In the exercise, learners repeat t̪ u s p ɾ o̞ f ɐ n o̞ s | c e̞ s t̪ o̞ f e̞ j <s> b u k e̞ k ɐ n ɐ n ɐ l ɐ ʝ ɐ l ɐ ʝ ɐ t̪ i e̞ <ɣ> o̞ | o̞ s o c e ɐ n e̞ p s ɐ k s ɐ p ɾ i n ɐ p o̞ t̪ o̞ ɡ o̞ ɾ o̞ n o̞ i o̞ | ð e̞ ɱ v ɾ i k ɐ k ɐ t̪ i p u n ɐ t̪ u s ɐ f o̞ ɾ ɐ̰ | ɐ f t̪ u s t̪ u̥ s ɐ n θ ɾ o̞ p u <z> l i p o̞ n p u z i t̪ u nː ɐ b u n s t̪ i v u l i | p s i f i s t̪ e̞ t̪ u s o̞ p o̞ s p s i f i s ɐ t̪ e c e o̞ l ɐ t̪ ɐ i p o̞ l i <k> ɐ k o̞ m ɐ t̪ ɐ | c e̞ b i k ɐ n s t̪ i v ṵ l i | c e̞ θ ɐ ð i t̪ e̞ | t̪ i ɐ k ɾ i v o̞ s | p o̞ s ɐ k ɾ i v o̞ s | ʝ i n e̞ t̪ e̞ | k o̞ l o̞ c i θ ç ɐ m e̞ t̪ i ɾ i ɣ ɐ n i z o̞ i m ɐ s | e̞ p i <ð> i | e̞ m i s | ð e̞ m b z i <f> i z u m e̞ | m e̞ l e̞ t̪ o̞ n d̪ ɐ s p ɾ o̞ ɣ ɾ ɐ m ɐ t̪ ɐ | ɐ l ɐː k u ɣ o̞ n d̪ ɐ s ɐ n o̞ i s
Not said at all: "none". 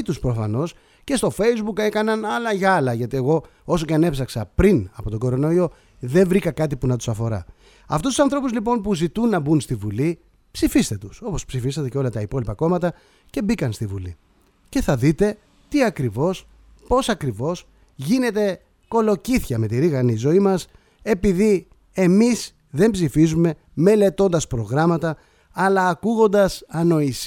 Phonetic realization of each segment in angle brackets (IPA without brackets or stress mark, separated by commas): z, ɣ, z, p, ð, f